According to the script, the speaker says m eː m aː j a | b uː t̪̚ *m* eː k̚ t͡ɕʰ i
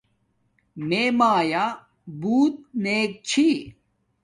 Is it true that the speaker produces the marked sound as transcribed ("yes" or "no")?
no